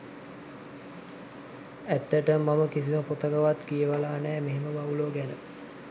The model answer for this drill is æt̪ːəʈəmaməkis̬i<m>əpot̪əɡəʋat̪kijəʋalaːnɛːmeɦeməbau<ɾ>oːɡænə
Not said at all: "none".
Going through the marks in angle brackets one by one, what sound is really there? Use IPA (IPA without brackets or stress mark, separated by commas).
m, l